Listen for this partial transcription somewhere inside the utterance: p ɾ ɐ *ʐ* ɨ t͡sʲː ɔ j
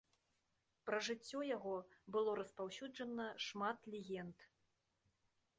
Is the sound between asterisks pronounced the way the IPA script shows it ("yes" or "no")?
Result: yes